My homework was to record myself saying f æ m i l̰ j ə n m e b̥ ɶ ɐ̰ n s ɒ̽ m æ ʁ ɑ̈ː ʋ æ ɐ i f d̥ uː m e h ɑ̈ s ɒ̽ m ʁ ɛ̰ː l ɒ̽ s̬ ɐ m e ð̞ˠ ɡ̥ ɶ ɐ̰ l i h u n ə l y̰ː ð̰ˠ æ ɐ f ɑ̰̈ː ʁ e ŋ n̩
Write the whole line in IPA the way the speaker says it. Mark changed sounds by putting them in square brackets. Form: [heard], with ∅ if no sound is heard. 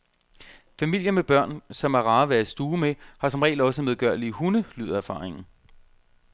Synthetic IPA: f æ m i l̰ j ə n m e b̥ ɶ ɐ̰ n s ɒ̽ m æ ʁ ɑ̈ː ʋ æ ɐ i [s] d̥ uː m e h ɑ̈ s ɒ̽ m ʁ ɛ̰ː l ɒ̽ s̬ [ə] m e ð̞ˠ ɡ̥ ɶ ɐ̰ l i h u n ə l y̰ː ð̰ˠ æ ɐ f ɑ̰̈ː ʁ e ŋ n̩